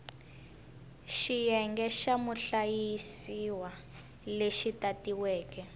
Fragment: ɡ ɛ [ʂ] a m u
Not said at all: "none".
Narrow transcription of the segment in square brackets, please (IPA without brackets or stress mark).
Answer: ʃ